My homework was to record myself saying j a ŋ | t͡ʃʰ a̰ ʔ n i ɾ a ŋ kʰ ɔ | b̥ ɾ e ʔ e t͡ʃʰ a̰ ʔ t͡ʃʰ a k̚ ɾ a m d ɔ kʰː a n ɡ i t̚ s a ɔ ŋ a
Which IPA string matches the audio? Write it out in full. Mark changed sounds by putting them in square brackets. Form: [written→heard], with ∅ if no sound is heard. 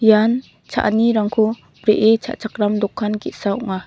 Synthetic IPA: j a [ŋ→n] | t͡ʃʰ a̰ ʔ n i ɾ a ŋ kʰ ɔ | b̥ ɾ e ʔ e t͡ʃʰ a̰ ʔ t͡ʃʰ a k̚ ɾ a m d ɔ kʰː a n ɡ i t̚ s a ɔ ŋ a